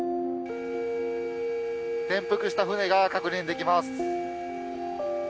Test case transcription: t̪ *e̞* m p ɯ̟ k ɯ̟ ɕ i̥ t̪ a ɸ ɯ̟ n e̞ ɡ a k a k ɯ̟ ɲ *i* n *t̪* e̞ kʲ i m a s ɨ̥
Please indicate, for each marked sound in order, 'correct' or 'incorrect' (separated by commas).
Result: incorrect, incorrect, incorrect